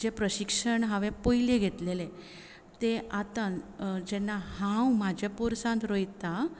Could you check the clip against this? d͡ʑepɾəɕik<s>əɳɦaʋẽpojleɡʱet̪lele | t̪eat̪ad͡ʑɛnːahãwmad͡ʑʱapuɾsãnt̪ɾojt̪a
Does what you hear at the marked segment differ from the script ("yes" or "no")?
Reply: yes